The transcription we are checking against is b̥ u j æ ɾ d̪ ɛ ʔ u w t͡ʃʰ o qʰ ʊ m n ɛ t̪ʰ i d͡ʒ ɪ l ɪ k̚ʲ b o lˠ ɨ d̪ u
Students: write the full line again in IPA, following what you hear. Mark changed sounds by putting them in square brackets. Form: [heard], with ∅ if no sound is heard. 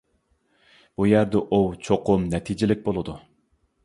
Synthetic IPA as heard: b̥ u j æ ɾ d̪ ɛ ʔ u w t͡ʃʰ o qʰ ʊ m n ɛ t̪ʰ i d͡ʒ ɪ l ɪ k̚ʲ b o lˠ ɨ d̪ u